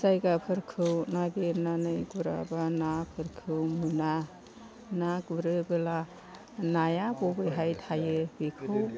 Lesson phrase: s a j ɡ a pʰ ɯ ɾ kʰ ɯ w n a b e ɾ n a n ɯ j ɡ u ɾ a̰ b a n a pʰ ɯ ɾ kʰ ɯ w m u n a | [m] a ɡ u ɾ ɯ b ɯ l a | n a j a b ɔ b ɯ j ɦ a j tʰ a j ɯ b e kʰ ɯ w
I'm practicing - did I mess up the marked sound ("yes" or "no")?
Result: yes